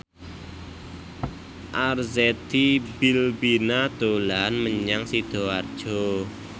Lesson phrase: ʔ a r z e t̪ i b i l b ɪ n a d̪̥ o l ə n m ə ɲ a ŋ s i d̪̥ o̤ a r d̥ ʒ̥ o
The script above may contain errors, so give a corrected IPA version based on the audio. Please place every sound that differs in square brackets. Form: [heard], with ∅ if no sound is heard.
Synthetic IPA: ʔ a r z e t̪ i b i l b [i] n a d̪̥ o l [a] n m ə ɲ a ŋ s i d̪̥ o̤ a r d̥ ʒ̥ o